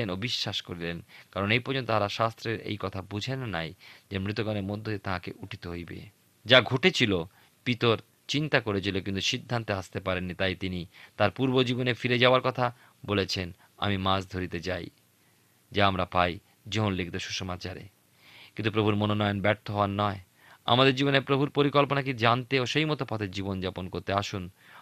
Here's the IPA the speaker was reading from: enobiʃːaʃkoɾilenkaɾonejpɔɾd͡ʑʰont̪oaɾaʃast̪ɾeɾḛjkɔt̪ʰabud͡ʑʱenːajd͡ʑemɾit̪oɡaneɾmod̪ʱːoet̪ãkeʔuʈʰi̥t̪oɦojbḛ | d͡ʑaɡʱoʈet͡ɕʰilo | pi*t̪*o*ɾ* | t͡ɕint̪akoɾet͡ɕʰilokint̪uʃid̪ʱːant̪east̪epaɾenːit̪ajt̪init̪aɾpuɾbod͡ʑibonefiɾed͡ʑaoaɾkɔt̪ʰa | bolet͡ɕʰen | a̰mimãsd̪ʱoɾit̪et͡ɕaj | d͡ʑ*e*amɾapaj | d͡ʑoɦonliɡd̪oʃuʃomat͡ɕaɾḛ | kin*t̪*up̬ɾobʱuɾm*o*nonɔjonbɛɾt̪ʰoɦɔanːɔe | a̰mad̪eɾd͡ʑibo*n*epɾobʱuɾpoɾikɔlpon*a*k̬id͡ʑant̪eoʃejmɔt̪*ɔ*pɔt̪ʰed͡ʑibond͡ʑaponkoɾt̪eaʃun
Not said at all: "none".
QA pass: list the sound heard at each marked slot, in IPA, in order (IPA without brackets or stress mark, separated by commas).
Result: t̪, ɾ, a, t̪, o, n, a, o